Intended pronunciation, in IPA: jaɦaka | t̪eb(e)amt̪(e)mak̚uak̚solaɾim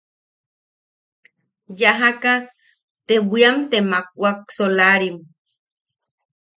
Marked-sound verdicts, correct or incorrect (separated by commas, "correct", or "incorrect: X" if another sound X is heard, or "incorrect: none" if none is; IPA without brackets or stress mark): incorrect: i, correct